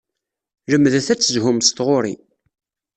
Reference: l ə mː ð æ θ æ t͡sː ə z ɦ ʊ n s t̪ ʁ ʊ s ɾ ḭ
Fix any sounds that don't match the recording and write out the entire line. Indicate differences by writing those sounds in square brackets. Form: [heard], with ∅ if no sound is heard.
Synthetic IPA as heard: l ə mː ð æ θ æ t͡sː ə z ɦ ʊ [m] s t̪ ʁ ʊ [∅] ɾ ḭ

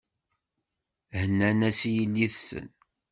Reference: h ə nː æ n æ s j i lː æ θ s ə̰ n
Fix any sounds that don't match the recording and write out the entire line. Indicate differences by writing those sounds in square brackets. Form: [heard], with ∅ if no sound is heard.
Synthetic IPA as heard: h ə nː æ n æ s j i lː [i] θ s ə̰ n

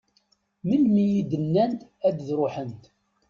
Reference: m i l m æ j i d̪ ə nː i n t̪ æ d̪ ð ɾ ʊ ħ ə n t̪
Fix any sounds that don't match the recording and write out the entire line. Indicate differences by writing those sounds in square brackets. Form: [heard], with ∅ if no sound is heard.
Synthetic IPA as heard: m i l m [i] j i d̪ ə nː [æ] n t̪ æ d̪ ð ɾ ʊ ħ ə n t̪

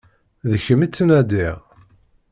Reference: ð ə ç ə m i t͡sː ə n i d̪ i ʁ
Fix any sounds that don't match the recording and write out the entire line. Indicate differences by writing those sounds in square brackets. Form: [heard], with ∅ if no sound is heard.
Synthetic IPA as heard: ð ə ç ə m i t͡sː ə n [æ] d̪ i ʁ

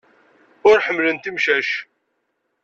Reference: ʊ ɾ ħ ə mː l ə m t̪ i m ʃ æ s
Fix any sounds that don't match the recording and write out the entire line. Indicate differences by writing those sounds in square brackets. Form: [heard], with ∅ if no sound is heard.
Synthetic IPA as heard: ʊ ɾ ħ ə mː l ə [n] t̪ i m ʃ æ [ʃ]

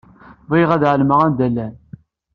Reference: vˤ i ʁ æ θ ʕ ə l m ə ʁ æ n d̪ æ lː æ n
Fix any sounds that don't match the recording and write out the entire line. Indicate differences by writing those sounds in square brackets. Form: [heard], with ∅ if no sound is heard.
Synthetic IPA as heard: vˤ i ʁ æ [ð] ʕ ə l m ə ʁ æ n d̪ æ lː æ n

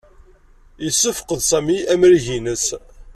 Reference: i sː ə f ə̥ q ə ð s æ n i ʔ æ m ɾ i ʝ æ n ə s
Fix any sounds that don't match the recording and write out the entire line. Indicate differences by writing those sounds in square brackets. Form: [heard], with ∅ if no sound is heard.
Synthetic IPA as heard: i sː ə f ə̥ q ə ð s æ [m] i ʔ æ m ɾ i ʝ [i] n ə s

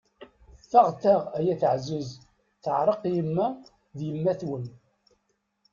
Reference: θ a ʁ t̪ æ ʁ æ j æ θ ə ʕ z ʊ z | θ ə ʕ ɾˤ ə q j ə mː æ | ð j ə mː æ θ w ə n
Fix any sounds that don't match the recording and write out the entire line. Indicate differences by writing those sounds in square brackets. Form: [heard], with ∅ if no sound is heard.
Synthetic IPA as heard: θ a ʁ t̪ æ ʁ æ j æ θ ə ʕ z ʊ z | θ ə ʕ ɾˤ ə q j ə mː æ | ð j ə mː æ θ w ə n

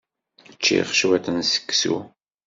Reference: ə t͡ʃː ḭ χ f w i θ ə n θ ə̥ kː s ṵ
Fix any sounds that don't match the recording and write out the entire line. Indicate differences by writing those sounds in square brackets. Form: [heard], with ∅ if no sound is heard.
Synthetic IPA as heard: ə t͡ʃː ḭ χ [ʃ] w [æ] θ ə n [s] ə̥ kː s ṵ

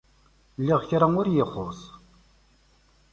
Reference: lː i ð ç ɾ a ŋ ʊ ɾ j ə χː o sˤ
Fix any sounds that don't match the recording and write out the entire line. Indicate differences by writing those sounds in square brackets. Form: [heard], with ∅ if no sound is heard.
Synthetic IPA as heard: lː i [ʁ] ç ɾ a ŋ ʊ ɾ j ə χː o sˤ

